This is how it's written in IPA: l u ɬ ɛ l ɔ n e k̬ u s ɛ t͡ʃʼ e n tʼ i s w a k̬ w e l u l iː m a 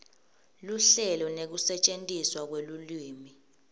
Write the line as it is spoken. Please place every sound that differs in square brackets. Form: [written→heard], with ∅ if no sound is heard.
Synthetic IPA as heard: l u ɬ ɛ l ɔ n e k̬ u s ɛ t͡ʃʼ e n tʼ i s w a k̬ w e l u l iː m [a→i]